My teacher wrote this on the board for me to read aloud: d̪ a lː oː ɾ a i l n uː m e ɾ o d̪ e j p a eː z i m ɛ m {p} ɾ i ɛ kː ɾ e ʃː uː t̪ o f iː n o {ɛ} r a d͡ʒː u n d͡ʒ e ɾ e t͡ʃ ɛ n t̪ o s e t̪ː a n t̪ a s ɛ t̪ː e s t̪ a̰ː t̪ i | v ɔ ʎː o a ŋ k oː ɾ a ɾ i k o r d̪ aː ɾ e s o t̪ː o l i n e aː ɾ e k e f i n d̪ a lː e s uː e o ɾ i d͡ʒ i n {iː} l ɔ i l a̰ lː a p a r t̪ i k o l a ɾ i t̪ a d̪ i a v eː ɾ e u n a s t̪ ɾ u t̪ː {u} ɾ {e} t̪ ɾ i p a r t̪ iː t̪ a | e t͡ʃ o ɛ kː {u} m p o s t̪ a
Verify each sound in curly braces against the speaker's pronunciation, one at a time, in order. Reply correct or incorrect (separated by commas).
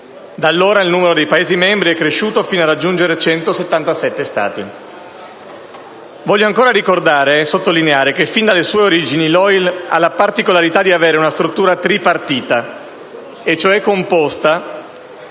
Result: incorrect, incorrect, incorrect, incorrect, incorrect, incorrect